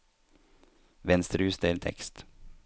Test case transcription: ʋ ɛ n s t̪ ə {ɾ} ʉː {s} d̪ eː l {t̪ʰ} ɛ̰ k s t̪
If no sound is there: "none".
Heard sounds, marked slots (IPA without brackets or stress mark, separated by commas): ɾ, s, t̪ʰ